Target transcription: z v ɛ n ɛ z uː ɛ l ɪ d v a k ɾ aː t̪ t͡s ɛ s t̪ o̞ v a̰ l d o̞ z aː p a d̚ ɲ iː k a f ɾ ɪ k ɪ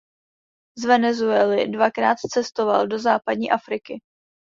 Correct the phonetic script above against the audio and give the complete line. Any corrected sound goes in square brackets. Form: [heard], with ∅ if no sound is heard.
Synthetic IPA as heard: z v ɛ n ɛ z [u] ɛ l ɪ d v a k ɾ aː t̪ t͡s ɛ s t̪ o̞ v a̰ l d o̞ z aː p a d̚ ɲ iː [ʔ] a f ɾ ɪ k ɪ